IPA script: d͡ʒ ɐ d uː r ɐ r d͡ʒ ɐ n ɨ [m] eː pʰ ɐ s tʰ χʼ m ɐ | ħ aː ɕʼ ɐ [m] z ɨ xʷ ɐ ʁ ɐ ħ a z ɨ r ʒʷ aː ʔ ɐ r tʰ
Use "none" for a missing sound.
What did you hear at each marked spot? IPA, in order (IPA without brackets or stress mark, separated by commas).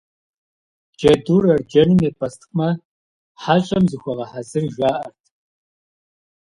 m, m